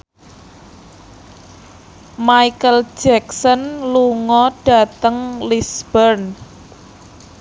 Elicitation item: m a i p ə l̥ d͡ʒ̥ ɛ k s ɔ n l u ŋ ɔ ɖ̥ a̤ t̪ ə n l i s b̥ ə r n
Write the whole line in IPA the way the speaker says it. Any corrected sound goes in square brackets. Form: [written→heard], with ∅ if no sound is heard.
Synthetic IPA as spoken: m a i [p→k] ə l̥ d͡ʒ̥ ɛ k s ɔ n l u ŋ ɔ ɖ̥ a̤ t̪ ə [n→ŋ] l i s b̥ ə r n